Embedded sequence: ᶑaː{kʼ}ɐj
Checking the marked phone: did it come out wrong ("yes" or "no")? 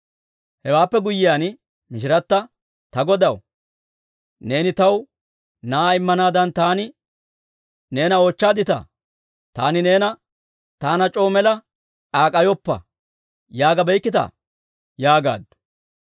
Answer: no